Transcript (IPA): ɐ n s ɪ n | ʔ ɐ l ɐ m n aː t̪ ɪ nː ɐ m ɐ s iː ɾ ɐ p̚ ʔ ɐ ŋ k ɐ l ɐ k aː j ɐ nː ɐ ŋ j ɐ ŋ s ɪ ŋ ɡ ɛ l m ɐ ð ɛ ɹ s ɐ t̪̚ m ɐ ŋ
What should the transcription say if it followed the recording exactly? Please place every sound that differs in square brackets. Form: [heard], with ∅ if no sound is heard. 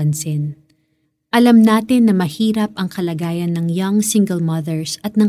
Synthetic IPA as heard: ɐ n s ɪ n | ʔ ɐ l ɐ m n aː t̪ ɪ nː ɐ m ɐ [h] iː ɾ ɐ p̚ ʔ ɐ ŋ k ɐ l ɐ [ɡ] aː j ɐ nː ɐ ŋ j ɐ ŋ s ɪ ŋ ɡ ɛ l m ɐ ð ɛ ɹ s ɐ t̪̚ [n] ɐ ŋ